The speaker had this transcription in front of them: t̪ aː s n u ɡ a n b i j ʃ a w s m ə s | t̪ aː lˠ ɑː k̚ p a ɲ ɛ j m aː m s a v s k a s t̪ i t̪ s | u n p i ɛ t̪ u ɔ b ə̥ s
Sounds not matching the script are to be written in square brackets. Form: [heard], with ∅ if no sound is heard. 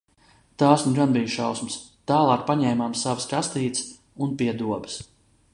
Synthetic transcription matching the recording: t̪ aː s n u ɡ a n b i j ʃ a w s m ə s | t̪ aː lˠ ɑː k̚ p a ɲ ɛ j m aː m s a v s k a s t̪ [iː] t̪ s | u n p i ɛ [d̪] u ɔ b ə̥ s